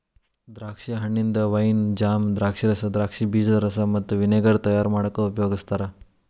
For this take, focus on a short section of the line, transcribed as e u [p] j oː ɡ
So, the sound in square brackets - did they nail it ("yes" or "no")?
yes